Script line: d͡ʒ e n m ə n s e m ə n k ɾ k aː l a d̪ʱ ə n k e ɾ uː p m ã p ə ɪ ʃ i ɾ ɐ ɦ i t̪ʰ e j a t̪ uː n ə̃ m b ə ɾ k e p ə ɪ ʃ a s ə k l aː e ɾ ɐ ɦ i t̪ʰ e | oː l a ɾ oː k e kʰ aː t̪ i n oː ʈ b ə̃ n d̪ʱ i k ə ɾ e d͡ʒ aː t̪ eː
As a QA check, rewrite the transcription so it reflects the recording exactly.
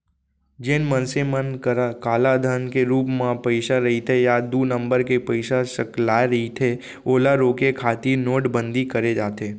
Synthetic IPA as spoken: d͡ʒ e n m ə n s e m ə n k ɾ k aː l a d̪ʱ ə n k e ɾ uː p m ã p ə ɪ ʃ a ɾ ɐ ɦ i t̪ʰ e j a d̪ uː n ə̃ m b ə ɾ k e p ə ɪ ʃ a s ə k l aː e ɾ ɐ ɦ i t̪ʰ e | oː l a ɾ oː k e kʰ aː t̪ i n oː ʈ b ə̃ n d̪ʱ i k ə ɾ e d͡ʒ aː t̪ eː